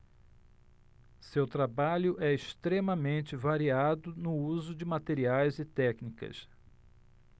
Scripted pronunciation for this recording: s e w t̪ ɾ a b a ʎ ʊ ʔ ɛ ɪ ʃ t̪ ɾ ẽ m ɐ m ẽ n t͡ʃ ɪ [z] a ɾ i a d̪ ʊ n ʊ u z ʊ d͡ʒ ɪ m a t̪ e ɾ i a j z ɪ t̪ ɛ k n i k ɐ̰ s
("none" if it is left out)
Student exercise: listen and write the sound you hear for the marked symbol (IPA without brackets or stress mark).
v